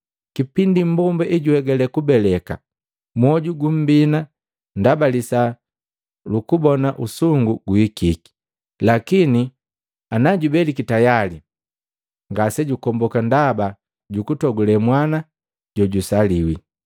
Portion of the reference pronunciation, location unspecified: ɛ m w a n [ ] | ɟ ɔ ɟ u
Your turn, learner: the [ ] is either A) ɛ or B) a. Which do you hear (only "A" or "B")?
B